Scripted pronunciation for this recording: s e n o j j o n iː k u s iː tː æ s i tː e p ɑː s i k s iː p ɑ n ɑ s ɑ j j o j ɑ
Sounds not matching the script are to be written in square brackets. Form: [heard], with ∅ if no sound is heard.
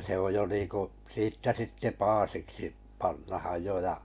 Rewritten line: s e [∅] o j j o n iː k u s iː tː æ s i tː e p ɑː s i k s [i] p ɑ [nː] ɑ [h] ɑ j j o j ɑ